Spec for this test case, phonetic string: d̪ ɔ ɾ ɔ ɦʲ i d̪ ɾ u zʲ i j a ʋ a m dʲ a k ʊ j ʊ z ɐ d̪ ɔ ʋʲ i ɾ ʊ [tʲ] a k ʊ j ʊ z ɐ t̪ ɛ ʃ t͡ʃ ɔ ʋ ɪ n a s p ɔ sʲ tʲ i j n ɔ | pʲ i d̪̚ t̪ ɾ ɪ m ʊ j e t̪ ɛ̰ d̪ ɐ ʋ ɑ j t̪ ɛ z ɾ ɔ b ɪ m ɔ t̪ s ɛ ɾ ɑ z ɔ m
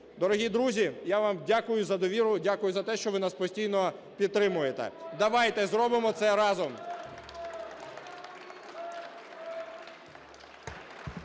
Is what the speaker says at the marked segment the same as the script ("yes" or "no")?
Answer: no